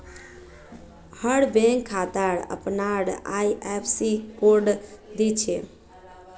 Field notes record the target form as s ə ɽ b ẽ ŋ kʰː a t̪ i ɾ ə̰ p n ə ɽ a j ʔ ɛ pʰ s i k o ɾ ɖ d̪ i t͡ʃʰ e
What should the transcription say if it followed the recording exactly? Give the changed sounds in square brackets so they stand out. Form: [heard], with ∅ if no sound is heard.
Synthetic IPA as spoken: [h] ə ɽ b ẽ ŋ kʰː a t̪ [a] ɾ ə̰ p n [a] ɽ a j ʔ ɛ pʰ s i k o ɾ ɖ d̪ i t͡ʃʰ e